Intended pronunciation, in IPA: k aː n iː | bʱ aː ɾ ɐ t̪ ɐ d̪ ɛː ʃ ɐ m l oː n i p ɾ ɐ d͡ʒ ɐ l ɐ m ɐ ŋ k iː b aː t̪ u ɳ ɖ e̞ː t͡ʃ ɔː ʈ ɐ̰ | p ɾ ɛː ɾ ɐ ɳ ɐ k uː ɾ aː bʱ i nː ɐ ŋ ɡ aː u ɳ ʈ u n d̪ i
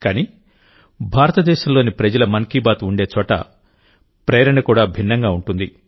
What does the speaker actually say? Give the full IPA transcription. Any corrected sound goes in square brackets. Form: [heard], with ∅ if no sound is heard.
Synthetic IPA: k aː n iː | bʱ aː ɾ ɐ t̪ ɐ d̪ ɛː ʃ ɐ m l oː n i p ɾ ɐ d͡ʒ ɐ l ɐ m ɐ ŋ k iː b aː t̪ u ɳ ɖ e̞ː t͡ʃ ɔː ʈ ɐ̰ | p ɾ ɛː ɾ ɐ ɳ ɐ k uː [ɽ] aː bʱ i nː ɐ ŋ ɡ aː u ɳ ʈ u n d̪ i